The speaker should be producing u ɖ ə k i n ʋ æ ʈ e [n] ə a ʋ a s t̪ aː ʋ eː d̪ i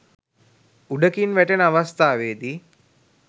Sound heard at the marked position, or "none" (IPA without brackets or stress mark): n